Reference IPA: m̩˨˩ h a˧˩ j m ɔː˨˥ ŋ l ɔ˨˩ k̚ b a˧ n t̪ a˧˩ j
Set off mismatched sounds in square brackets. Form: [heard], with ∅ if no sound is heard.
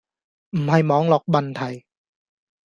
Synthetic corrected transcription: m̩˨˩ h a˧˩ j m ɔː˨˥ ŋ l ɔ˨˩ k̚ b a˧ n [t̪ʰ] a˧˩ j